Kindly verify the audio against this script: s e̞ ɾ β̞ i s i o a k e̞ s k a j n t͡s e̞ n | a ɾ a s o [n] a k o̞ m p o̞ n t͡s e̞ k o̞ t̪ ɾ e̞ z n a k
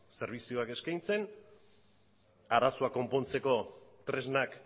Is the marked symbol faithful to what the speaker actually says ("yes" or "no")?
no